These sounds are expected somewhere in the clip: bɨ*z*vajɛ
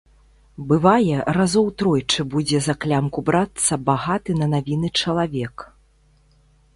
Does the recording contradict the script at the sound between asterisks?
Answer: yes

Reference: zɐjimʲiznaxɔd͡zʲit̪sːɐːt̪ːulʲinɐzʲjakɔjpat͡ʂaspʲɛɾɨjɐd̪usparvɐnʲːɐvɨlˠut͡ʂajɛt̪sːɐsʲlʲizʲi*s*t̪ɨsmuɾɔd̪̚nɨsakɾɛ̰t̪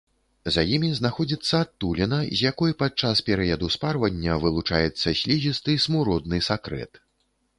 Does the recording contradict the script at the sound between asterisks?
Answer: no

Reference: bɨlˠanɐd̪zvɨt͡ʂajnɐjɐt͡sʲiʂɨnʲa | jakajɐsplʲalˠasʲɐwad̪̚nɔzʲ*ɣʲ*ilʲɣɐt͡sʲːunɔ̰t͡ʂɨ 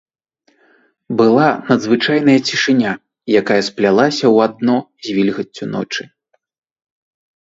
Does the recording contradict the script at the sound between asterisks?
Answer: yes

